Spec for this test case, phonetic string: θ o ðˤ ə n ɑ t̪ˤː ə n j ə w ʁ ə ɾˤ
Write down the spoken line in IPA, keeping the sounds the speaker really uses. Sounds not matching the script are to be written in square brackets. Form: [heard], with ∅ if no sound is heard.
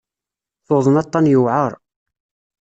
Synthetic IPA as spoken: θ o ðˤ ə n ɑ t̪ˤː [ɑ] n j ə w [ʕ] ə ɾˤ